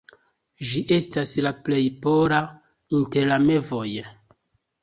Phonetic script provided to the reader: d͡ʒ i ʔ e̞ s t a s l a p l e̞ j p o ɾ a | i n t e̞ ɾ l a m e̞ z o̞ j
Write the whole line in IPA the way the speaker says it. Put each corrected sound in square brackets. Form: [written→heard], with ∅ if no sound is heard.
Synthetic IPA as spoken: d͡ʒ i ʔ e̞ s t a s l a p l e̞ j p o ɾ a | i n t e̞ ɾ l a m e̞ [z→v] o̞ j